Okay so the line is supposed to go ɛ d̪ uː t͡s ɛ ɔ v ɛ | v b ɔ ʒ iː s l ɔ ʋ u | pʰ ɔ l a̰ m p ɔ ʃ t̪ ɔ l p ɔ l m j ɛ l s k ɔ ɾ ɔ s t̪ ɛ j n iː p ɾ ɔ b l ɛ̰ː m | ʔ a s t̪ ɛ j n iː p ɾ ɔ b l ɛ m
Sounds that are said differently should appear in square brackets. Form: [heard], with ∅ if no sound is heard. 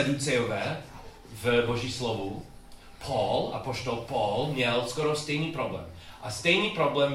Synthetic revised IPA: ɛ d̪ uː t͡s ɛ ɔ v ɛ | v b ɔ ʒ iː s l ɔ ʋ u | pʰ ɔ l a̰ [∅] p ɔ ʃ t̪ ɔ l p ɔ l m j ɛ l s k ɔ ɾ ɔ s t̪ ɛ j n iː p ɾ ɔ b l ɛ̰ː m | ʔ a s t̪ ɛ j n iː p ɾ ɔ b l ɛ m